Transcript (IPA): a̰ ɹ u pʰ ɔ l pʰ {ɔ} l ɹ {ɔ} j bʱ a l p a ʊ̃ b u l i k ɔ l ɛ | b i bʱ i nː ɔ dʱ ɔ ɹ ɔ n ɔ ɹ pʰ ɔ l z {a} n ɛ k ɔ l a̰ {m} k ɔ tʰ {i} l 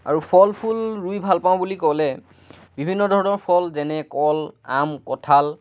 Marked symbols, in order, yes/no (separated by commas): no, no, no, yes, no